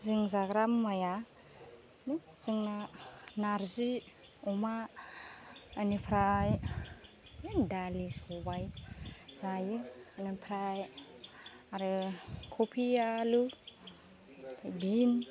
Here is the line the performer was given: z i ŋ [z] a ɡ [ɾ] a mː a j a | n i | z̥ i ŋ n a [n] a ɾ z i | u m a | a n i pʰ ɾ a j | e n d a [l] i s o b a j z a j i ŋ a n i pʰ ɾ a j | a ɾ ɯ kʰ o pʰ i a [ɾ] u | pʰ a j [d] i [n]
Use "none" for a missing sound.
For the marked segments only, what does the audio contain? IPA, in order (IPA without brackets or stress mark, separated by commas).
z, ɾ, n, l, l, b, n